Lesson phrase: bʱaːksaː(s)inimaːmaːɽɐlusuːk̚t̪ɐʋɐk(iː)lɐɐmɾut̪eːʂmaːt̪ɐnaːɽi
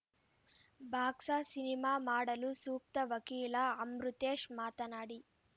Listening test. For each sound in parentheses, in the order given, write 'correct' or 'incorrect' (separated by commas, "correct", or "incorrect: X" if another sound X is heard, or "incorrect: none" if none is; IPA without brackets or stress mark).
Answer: correct, correct